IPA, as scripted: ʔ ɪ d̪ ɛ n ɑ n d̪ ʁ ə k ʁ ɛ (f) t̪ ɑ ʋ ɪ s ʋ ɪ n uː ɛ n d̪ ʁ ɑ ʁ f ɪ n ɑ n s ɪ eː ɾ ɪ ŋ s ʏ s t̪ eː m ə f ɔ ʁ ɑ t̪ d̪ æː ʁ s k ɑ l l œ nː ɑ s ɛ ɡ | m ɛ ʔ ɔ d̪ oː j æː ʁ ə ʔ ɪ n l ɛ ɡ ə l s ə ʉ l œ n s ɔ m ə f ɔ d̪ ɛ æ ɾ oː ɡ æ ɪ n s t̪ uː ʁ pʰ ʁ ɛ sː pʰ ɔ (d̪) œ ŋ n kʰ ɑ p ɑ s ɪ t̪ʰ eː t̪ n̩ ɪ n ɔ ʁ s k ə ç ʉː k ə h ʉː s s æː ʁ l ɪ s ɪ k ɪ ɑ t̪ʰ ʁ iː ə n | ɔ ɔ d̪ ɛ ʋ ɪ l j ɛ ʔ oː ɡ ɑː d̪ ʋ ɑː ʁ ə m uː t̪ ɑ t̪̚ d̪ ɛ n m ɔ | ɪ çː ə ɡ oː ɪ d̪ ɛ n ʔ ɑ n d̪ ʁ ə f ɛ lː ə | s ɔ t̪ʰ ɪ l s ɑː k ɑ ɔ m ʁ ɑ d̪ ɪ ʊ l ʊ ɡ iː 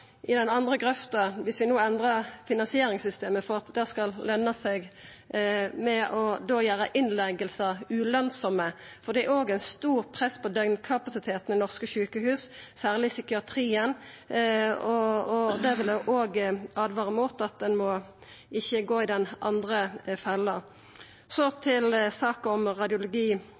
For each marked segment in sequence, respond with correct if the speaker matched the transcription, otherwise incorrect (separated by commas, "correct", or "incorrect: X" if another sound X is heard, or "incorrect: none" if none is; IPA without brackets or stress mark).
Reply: correct, correct